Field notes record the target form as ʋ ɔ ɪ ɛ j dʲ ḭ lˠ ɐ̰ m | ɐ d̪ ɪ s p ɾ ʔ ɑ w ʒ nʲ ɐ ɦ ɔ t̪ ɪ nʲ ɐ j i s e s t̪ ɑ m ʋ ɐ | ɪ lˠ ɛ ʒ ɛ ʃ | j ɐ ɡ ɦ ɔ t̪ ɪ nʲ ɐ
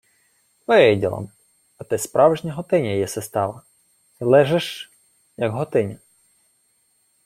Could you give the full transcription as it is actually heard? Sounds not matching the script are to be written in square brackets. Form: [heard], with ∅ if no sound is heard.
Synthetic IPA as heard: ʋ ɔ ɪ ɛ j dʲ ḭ lˠ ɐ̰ m | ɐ [t̪] ɪ s p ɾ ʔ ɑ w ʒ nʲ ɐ ɦ ɔ t̪ ɪ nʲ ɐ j [ɛ] s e s t̪ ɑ [∅] ʋ ɐ | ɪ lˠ ɛ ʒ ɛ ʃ | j ɐ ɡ ɦ ɔ t̪ ɪ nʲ ɐ